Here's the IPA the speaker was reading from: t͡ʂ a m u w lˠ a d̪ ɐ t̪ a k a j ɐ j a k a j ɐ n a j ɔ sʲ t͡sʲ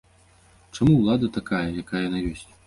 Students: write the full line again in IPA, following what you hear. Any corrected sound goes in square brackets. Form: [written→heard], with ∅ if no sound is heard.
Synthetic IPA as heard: t͡ʂ a m u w lˠ a d̪ ɐ t̪ a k a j ɐ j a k a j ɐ n a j ɔ sʲ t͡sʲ